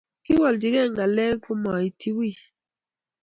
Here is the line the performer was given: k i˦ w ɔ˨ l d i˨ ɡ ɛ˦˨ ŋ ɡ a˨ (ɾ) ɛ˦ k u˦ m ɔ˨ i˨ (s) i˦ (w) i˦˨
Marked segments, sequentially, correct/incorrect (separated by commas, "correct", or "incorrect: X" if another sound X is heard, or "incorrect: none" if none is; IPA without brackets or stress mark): incorrect: l, incorrect: t, correct